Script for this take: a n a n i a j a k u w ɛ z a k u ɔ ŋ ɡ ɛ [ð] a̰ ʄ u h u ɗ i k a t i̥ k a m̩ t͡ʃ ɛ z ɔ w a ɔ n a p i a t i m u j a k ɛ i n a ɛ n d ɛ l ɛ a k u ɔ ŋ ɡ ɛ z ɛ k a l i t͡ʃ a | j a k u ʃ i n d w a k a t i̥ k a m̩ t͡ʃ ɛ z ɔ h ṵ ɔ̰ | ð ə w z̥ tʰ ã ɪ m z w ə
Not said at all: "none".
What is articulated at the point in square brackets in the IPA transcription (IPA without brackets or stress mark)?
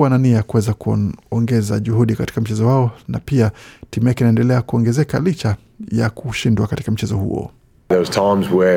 z